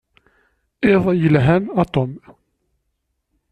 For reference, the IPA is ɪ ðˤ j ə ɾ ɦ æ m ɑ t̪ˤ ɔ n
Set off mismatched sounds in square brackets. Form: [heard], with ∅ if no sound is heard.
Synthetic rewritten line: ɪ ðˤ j ə [l] ɦ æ [n] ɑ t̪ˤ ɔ [m]